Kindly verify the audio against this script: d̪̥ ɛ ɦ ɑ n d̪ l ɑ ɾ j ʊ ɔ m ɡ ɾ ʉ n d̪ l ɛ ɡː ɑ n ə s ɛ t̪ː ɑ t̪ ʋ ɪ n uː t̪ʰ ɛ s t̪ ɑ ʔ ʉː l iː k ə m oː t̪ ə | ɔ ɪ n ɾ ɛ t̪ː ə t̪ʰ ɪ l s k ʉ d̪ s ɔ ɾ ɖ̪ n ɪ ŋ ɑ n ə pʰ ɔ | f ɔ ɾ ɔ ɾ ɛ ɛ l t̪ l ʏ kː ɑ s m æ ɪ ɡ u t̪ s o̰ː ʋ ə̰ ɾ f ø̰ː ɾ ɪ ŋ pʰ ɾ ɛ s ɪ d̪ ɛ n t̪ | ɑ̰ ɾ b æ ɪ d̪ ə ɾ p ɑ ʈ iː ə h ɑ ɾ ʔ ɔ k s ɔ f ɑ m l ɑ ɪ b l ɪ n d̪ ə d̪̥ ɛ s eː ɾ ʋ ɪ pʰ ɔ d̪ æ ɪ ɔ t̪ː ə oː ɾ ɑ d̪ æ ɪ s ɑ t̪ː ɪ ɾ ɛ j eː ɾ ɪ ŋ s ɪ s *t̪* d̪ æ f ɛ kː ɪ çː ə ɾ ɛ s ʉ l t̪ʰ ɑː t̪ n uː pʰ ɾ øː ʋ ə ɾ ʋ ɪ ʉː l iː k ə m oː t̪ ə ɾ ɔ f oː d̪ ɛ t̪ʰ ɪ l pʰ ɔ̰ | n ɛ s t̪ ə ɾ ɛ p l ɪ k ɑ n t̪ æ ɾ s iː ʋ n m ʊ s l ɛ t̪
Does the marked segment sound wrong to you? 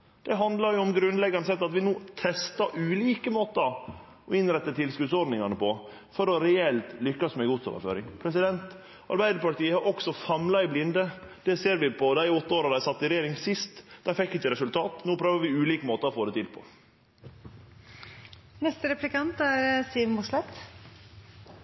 no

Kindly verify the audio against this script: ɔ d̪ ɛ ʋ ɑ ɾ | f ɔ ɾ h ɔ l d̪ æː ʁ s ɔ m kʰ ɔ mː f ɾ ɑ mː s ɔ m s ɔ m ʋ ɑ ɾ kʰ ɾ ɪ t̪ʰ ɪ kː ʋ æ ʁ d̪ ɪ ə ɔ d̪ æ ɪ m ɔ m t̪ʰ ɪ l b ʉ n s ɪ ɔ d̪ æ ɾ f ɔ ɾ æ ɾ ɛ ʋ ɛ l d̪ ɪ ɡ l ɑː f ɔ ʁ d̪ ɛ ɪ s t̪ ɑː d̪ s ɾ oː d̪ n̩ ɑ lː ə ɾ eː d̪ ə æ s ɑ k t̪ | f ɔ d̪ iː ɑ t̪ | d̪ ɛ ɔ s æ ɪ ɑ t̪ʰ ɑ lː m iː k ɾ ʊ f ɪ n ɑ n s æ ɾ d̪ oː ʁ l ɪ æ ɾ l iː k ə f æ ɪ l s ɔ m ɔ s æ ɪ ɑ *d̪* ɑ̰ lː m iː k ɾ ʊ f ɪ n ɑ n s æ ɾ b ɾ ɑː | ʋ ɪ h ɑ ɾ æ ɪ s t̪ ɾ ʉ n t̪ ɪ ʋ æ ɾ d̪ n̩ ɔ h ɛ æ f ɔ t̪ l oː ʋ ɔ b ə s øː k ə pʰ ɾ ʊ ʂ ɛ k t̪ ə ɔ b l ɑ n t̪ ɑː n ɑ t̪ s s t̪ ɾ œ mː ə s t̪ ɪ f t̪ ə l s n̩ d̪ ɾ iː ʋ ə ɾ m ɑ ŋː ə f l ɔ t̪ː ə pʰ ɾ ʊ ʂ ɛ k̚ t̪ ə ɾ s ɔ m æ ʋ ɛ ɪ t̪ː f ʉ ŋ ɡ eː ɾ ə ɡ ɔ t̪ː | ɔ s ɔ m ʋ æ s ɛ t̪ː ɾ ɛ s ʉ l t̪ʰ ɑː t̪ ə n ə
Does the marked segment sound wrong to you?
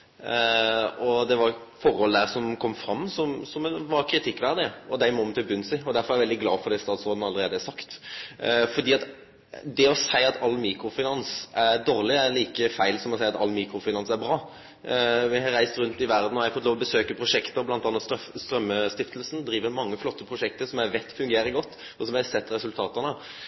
yes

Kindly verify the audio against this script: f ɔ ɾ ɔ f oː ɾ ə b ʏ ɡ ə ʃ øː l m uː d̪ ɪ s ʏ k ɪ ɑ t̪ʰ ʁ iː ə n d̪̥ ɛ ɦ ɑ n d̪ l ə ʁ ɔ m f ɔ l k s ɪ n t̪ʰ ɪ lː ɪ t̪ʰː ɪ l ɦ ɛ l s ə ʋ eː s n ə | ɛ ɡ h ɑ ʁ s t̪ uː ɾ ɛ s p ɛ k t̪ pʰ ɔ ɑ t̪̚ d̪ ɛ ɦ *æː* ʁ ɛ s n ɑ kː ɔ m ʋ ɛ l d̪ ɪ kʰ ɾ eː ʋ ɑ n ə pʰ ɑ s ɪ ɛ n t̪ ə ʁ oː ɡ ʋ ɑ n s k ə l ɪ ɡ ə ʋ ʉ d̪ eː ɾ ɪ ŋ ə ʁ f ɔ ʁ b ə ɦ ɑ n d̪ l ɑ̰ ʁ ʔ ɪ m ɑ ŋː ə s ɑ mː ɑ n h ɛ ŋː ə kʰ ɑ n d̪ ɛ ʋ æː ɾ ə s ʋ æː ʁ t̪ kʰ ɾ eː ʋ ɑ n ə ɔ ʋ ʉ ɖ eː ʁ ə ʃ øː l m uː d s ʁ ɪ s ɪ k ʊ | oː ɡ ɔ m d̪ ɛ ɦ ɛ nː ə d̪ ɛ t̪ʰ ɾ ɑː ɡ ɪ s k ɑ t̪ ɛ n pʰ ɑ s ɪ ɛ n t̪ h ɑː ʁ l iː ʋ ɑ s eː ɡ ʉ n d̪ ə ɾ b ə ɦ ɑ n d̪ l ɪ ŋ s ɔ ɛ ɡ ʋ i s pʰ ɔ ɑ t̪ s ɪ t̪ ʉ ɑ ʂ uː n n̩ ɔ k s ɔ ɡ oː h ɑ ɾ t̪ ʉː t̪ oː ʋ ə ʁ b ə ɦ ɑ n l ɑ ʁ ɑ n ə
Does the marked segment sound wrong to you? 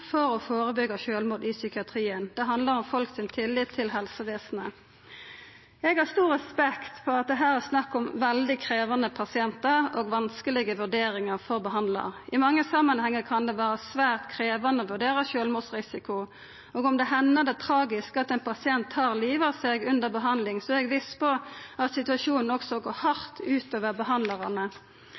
no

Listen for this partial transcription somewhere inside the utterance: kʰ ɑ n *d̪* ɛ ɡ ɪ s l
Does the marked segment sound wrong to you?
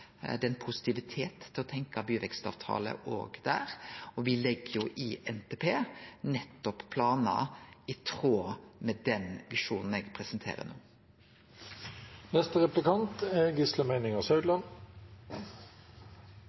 yes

